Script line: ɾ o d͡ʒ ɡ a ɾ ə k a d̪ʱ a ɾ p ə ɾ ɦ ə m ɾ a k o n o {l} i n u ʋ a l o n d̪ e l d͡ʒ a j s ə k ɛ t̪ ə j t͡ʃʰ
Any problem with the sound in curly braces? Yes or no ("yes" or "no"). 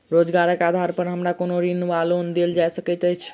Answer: yes